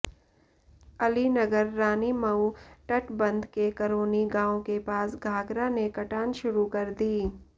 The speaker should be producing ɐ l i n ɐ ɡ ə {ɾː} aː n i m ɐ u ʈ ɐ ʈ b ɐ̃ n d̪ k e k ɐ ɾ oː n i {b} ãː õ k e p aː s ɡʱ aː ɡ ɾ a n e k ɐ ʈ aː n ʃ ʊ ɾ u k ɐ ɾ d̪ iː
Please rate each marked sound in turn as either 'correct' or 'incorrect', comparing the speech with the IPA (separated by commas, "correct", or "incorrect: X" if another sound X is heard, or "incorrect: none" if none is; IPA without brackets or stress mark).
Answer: correct, incorrect: ɡ